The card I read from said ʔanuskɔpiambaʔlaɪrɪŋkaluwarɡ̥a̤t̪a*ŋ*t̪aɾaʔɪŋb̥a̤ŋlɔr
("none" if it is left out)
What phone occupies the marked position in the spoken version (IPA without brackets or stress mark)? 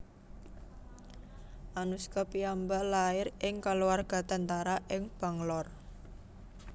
n